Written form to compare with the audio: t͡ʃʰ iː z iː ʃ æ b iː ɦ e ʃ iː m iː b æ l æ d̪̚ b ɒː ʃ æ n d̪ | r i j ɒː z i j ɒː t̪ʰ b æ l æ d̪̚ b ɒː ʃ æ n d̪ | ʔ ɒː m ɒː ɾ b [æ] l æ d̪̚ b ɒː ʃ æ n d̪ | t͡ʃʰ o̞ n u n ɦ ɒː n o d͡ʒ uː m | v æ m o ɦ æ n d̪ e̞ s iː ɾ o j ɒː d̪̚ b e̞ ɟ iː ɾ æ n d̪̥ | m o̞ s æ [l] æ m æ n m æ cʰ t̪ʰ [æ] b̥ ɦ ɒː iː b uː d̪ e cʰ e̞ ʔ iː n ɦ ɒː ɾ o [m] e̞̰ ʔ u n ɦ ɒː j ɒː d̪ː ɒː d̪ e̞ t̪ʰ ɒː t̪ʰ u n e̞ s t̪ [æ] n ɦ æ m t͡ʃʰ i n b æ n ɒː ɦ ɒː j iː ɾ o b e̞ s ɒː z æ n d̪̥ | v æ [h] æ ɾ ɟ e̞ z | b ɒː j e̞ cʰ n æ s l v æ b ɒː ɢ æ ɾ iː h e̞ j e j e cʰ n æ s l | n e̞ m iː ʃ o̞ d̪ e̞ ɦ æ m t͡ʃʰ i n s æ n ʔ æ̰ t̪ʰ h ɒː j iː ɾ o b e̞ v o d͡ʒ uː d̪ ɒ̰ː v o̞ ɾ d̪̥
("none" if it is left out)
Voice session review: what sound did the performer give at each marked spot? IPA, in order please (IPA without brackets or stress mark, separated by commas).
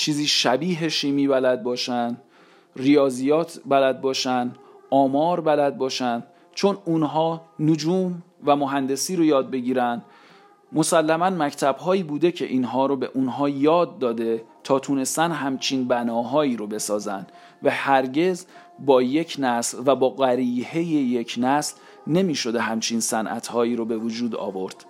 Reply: æ, lː, æ, b, æ, h